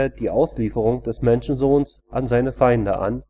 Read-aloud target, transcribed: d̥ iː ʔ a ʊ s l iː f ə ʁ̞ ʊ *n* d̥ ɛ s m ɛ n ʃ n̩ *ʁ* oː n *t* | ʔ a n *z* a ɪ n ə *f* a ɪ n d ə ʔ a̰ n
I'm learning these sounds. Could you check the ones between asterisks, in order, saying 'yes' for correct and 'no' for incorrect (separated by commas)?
no, no, no, yes, yes